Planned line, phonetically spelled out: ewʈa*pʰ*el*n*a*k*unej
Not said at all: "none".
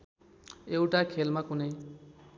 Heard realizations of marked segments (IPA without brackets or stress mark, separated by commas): kʰ, m, k